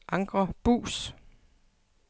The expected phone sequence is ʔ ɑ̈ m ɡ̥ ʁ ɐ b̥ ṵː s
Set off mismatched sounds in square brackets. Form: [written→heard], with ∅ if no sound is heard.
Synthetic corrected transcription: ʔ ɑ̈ [m→ŋ] ɡ̥ ʁ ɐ b̥ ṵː s